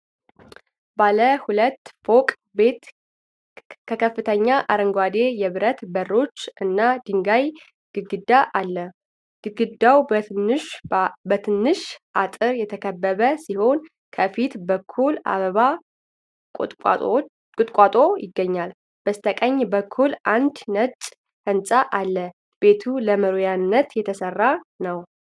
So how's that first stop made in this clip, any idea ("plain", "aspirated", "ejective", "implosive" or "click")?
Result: plain